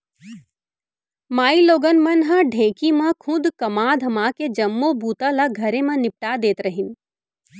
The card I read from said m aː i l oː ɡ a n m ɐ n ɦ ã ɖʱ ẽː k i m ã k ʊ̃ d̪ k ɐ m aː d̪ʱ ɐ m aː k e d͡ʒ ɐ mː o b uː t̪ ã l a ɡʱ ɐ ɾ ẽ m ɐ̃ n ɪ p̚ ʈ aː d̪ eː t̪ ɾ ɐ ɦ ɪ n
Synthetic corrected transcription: m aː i l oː ɡ ə n m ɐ n ɦ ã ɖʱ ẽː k i m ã kʰ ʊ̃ d̪ k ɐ m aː d̪ʱ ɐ m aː k e d͡ʒ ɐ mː o b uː t̪ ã l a ɡʱ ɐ ɾ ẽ m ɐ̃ n ɪ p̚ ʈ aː d̪ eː t̪ ɾ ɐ ɦ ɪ n